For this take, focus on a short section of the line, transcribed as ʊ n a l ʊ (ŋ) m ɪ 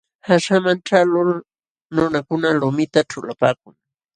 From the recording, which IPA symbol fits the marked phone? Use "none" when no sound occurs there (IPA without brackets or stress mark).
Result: none